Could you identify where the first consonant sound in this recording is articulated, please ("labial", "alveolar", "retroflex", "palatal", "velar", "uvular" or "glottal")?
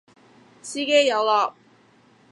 alveolar